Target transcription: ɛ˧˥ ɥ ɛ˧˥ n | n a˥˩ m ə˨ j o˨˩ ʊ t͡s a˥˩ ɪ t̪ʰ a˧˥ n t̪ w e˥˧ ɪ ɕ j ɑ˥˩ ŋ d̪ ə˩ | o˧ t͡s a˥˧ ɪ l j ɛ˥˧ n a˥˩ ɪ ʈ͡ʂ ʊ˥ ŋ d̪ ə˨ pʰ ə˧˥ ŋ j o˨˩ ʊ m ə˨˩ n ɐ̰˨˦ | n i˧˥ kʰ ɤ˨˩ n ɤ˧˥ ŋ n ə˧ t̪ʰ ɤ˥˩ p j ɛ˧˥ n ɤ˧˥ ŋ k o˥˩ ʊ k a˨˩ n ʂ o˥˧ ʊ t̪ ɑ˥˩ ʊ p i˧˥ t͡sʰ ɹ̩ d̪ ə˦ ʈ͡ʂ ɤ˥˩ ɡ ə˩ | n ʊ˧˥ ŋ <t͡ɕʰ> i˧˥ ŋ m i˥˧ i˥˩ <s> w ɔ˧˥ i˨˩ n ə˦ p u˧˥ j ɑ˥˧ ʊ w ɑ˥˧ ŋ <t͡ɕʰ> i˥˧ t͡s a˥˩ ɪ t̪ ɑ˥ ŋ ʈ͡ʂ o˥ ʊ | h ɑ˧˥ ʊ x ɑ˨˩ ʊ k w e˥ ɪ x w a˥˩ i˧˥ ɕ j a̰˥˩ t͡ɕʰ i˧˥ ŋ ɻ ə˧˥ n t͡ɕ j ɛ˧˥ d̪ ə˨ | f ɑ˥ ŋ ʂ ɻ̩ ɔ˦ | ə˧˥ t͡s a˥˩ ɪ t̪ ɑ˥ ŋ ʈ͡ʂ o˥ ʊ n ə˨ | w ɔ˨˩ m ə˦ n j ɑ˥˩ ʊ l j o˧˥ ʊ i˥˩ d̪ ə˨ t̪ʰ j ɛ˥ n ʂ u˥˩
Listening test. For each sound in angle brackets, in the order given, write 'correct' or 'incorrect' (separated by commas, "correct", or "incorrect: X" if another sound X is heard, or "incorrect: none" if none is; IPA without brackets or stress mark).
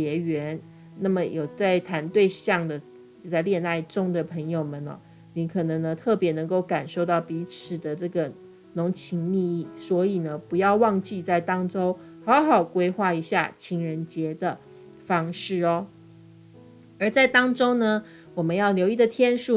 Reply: correct, correct, incorrect: t͡ɕ